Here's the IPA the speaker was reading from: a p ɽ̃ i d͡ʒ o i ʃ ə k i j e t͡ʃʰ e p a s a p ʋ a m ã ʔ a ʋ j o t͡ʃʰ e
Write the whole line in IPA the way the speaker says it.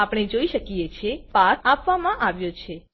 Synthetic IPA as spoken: a p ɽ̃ e d͡ʒ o i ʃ ə k i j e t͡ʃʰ e p a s a p ʋ a m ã ʔ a ʋ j o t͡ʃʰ e